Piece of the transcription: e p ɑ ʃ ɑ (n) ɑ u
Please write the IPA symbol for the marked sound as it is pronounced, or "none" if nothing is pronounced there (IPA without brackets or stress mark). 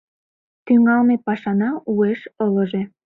n